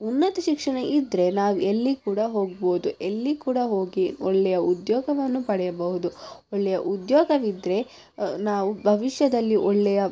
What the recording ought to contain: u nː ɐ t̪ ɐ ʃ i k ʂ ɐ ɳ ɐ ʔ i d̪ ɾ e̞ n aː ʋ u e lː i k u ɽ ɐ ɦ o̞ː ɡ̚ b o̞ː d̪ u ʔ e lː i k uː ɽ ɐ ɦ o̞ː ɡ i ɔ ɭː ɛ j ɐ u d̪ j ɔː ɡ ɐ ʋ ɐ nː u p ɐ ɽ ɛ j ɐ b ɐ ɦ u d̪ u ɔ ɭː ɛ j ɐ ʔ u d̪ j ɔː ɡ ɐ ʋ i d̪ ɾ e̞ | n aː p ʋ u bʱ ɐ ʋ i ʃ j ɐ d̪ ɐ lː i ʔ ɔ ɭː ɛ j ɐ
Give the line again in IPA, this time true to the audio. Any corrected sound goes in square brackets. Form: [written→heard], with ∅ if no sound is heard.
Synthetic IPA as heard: u nː ɐ t̪ ɐ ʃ i k ʂ ɐ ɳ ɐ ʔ i d̪ ɾ e̞ n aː ʋ u e lː i k [u→uː] ɽ ɐ ɦ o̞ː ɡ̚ b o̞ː d̪ u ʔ e lː i k uː ɽ ɐ ɦ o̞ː ɡ i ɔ ɭː ɛ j ɐ u d̪ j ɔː ɡ ɐ ʋ ɐ nː u p ɐ ɽ ɛ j ɐ b ɐ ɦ u d̪ u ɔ ɭː ɛ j ɐ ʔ u d̪ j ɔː ɡ ɐ ʋ i d̪ ɾ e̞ | n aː [p→∅] ʋ u bʱ ɐ ʋ i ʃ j ɐ d̪ ɐ lː i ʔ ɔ ɭː ɛ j ɐ